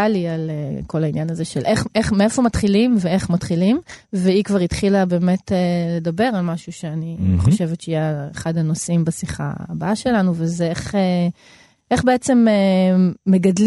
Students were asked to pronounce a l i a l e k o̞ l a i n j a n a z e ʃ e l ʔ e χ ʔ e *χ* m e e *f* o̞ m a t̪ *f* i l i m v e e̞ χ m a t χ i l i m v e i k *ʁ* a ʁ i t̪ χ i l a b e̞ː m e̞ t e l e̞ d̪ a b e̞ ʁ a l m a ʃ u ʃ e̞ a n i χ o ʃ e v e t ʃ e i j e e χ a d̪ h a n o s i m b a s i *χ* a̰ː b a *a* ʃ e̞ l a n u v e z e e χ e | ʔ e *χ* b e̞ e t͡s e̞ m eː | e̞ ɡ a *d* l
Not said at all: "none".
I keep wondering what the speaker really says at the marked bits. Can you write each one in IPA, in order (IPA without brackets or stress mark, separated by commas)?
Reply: χ, f, χ, v, χ, a, χ, d